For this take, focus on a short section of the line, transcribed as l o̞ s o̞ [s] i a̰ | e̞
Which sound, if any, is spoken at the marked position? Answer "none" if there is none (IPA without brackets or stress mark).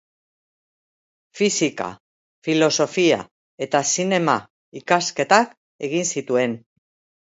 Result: f